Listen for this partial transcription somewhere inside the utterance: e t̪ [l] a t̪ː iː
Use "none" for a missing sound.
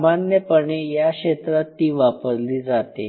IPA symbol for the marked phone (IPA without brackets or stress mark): ɾ